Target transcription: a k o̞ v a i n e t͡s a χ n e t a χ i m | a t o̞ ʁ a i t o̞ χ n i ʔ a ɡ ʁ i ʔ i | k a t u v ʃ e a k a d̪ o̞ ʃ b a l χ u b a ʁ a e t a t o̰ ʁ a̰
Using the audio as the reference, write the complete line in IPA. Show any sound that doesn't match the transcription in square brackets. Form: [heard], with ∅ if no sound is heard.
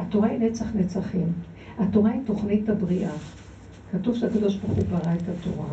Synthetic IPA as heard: a [t] o̞ [ʁ] a i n e t͡s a χ n e [t͡s] a χ i m | a t o̞ ʁ a i t o̞ χ n i [t] a [b] ʁ i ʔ [a] | k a t u v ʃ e a k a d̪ o̞ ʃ b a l χ u b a ʁ a e t a t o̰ ʁ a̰